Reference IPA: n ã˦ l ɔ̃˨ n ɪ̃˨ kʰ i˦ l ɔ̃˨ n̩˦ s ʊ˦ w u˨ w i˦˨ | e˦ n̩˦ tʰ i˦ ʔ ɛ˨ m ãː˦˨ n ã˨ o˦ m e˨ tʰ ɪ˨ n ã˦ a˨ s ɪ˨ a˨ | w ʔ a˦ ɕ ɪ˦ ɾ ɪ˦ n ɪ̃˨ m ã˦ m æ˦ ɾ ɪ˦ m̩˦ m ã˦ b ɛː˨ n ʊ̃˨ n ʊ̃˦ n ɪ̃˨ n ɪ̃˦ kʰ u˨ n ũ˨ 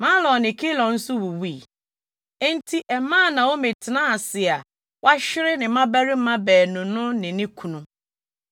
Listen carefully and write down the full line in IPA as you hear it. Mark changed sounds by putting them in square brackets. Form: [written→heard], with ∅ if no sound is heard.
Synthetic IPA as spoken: [n→m] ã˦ l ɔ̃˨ n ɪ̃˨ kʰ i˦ l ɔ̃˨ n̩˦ s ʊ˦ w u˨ w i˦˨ | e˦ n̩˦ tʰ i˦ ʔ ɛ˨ m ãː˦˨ n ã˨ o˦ m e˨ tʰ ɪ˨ n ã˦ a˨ s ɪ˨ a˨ | w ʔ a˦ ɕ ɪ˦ ɾ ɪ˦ n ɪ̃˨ m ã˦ [m→b] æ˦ ɾ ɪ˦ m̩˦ m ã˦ b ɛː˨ n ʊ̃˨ n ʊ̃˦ n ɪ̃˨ n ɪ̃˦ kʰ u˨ n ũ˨

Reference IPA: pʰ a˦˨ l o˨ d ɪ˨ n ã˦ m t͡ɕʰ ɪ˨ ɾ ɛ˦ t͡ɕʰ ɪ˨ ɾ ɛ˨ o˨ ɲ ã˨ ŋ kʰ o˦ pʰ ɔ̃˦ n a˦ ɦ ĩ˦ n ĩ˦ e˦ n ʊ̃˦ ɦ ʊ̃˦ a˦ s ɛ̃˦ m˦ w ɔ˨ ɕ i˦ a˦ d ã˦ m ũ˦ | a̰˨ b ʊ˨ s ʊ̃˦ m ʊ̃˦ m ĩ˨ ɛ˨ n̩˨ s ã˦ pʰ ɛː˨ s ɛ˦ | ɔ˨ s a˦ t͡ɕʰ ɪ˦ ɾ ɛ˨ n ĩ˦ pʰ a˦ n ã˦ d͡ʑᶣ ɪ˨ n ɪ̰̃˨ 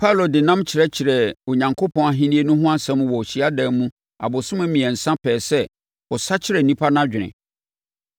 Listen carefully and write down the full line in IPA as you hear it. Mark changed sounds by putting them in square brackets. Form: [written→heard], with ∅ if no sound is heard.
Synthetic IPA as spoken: pʰ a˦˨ l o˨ d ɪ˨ n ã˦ m t͡ɕʰ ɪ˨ ɾ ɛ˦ t͡ɕʰ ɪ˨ ɾ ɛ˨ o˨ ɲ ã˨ ŋ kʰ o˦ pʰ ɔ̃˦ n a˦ ɦ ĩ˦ n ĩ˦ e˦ n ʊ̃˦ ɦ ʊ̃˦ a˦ s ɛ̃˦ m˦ w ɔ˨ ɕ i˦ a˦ d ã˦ m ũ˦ | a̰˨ b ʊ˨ s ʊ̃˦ m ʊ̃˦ m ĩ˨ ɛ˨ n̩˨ s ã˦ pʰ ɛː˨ s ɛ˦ | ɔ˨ s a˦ t͡ɕʰ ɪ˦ ɾ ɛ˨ n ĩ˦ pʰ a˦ n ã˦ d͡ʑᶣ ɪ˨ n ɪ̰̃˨

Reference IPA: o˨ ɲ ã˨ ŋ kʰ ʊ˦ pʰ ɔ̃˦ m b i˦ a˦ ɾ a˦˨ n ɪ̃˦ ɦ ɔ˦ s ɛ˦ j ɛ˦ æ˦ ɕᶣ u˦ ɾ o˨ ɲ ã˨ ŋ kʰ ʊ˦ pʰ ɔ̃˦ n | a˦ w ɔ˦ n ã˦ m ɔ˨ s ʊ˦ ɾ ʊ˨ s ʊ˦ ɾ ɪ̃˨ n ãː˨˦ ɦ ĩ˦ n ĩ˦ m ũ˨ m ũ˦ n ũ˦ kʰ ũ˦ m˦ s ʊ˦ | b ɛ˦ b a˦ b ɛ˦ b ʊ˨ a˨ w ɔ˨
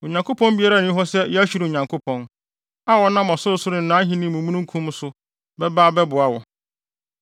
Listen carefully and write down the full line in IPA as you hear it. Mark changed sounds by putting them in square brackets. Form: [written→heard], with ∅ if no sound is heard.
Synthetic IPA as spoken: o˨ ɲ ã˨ ŋ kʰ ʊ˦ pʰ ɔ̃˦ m b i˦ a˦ ɾ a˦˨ n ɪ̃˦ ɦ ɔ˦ s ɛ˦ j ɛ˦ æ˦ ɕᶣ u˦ ɾ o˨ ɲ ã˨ ŋ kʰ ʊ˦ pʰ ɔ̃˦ n | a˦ w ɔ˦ n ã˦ m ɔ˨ s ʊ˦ ɾ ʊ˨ s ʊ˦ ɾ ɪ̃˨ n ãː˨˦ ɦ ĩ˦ n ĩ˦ m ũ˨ m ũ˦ n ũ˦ kʰ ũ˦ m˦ s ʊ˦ | b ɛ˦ b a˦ b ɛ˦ b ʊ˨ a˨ w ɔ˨

